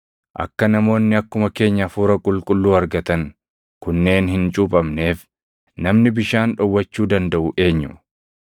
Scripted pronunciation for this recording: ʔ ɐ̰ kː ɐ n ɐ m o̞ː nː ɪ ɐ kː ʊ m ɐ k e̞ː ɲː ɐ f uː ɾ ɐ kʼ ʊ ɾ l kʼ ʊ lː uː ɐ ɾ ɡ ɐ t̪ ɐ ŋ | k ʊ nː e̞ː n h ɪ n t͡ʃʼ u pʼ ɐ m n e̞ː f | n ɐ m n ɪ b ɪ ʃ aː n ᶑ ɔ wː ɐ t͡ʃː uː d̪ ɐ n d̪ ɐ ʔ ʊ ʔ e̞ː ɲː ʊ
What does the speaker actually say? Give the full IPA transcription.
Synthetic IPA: ʔ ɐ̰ kː ɐ n ɐ m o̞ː nː ɪ ɐ kː ʊ m ɐ k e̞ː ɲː ɐ f uː ɾ ɐ kʼ ʊ l kʼ ʊ lː uː ɐ ɾ ɡ ɐ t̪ ɐ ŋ | k ʊ nː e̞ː n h ɪ n t͡ʃʼ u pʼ ɐ m n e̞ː f | n ɐ m n ɪ b ɪ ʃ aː n ᶑ ɔ wː ɐ t͡ʃː uː d̪ ɐ n d̪ ɐ ʔ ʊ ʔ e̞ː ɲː ʊ